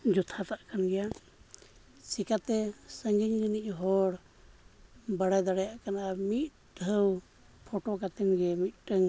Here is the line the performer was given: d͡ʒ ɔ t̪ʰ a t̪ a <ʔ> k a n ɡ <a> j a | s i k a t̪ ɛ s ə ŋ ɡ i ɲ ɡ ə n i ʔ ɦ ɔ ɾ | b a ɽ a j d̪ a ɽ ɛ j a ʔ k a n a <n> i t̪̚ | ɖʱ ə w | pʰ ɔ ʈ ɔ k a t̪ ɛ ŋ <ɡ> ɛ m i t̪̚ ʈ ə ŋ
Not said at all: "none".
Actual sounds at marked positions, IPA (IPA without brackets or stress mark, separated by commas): ʔ, ɛ, m, ɡ